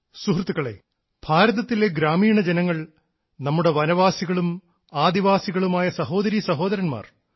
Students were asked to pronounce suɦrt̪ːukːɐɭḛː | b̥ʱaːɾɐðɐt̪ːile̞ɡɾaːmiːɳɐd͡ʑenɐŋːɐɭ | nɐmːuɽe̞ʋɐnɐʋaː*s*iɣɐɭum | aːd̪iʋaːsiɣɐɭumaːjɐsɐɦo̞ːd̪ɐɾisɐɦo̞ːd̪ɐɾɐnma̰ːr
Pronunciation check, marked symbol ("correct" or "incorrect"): correct